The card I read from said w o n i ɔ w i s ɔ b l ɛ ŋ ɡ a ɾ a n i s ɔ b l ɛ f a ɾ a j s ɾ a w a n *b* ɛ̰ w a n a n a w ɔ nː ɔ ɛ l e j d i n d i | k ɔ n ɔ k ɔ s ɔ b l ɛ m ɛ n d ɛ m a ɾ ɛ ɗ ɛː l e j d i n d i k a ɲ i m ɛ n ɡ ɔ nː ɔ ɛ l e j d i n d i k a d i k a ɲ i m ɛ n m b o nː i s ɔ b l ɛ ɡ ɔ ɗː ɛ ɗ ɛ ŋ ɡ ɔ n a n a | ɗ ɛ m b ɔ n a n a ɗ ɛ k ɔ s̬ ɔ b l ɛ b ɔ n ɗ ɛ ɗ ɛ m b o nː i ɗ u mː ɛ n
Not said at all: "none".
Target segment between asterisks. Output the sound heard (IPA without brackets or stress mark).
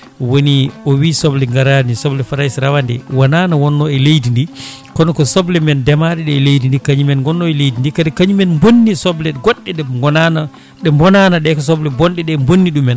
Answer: d